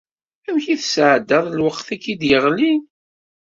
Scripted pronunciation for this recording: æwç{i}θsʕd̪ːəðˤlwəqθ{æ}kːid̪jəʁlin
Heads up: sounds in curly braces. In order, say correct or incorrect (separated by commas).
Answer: correct, correct